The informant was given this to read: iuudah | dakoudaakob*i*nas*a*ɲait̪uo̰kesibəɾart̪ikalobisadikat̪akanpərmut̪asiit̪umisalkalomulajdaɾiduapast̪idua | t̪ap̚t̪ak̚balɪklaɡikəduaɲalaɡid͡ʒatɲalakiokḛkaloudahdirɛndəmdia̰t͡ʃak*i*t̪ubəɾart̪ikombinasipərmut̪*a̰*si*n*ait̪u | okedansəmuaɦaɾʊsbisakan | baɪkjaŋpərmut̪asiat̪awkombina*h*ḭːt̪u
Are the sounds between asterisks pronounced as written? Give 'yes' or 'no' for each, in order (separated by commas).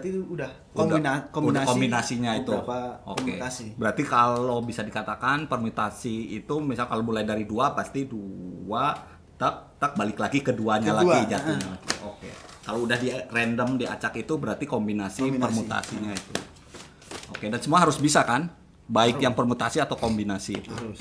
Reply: yes, no, yes, yes, no, no